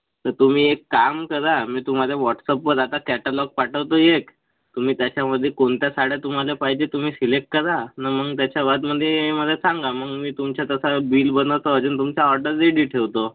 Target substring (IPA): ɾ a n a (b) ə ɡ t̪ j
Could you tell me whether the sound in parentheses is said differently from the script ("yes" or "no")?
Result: yes